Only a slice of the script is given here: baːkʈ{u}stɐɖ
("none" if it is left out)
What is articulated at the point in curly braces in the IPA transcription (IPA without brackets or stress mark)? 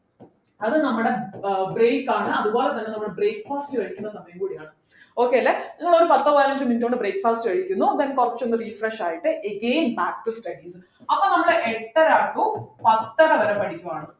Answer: u